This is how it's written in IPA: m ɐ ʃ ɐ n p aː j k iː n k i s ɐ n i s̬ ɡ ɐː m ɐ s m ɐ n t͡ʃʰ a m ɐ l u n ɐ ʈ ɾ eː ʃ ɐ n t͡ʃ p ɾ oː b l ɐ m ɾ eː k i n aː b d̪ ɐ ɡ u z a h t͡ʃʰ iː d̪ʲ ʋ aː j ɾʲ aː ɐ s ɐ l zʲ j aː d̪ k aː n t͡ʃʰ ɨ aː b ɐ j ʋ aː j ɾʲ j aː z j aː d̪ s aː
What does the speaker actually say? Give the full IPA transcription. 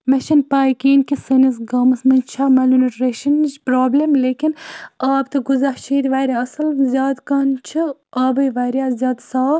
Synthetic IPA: m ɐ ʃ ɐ n p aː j k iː n k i s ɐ n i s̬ ɡ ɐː m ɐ s m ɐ n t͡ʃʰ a m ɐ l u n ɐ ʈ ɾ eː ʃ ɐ n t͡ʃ p ɾ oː b l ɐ m l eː k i n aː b t̪ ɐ ɡ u z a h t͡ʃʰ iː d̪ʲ ʋ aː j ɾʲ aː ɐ s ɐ l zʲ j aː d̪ k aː n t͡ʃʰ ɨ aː b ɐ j ʋ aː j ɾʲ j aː z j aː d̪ s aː

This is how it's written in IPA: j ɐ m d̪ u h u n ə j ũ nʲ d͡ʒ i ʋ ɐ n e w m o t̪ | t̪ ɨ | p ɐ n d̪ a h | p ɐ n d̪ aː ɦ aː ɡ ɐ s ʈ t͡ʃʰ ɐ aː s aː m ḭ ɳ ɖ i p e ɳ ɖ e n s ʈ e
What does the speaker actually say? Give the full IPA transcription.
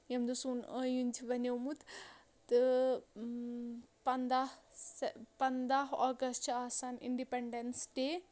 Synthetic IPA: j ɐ m d̪ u s u n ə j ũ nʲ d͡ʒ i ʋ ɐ n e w m u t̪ | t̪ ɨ | p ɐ n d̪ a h | p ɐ n d̪ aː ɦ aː ɡ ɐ s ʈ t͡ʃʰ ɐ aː s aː n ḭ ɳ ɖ i p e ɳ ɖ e n s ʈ e

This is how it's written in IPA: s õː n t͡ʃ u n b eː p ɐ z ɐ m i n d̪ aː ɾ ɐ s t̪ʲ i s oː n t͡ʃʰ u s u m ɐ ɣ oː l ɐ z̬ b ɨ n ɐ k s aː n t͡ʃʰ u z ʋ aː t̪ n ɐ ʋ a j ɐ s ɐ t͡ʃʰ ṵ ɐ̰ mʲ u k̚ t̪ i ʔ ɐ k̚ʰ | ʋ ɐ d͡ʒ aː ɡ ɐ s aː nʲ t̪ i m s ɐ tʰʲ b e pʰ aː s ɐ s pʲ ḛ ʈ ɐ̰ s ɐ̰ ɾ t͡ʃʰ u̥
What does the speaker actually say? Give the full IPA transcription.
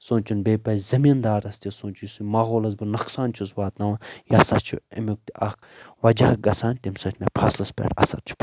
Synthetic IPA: s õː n t͡ʃ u n b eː p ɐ z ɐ m i n d̪ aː ɾ ɐ s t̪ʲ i s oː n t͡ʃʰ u s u m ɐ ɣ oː l ɐ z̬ b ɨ n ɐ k s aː n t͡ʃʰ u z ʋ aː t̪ n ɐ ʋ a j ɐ s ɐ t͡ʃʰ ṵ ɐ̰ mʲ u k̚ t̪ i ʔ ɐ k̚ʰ | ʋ ɐ d͡ʒ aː ɡ ɐ s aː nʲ t̪ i m s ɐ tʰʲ m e pʰ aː s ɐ s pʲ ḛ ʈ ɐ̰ s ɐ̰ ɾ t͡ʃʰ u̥

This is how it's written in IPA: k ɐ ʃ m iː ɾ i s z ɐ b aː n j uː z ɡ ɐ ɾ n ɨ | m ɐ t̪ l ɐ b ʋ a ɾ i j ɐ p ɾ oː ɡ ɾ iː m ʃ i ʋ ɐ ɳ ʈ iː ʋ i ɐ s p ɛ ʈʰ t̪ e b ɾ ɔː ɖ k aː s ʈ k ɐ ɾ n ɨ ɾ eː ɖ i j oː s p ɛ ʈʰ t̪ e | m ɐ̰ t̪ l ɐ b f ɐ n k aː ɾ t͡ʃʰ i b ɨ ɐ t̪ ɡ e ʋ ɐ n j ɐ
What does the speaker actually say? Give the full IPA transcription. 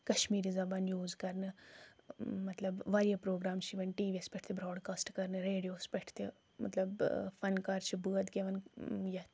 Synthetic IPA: k ɐ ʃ m iː ɾ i z ɐ b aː n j uː z k ɐ ɾ n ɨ | m ɐ t̪ l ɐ b ʋ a ɾ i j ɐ p ɾ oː ɡ ɾ aː m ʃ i ʋ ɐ n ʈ iː ʋ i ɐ s p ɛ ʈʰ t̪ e b ɾ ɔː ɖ k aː s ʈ k ɐ ɾ n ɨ ɾ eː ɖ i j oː s p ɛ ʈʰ t̪ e | m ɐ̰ t̪ l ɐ b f ɐ n k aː ɾ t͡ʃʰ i b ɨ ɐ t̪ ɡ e ʋ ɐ n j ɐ

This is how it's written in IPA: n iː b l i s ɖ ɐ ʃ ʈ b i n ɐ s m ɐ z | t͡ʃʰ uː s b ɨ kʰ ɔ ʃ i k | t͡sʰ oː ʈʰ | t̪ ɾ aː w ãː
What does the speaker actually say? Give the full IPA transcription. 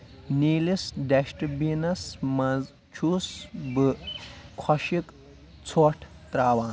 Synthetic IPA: n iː l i s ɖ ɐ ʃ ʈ b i n ɐ s m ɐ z | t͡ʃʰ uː s b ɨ kʰ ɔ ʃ i k | t͡sʰ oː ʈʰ | t̪ ɾ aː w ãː

